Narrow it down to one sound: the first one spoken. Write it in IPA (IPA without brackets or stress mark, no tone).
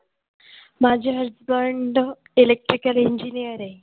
m